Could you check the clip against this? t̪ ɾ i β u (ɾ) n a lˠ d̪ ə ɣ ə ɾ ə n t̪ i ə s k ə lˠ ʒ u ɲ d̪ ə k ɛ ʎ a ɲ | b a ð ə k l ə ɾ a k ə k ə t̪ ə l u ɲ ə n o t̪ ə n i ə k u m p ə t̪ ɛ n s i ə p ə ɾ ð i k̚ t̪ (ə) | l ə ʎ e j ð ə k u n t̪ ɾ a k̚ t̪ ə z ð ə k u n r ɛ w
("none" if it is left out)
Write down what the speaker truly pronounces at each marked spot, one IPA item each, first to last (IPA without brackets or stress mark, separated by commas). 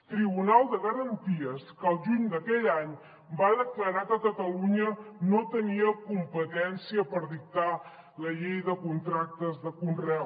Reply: none, a